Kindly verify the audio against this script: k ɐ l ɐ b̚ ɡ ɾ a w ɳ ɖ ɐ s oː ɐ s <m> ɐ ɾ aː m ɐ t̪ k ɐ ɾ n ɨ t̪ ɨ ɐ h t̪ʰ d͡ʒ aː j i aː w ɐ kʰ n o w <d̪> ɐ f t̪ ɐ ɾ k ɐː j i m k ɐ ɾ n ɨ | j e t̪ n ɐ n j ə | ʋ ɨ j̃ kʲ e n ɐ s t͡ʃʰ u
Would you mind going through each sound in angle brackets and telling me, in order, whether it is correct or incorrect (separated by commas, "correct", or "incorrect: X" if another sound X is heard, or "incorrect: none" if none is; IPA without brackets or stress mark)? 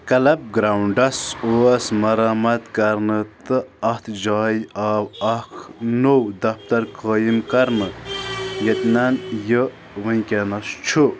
correct, correct